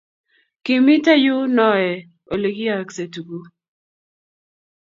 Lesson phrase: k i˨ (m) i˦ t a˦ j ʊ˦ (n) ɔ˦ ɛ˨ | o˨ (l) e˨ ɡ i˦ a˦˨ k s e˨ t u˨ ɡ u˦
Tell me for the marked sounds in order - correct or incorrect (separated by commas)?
correct, correct, correct